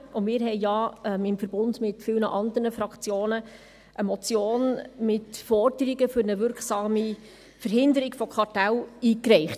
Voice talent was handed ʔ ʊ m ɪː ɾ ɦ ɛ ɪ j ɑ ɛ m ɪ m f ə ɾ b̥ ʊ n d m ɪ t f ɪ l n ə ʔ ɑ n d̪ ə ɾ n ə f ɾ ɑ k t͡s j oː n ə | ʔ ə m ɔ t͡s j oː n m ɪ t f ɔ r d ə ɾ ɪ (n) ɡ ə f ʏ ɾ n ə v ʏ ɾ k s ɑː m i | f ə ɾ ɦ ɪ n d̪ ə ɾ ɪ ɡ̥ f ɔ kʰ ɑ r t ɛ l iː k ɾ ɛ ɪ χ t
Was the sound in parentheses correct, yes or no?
no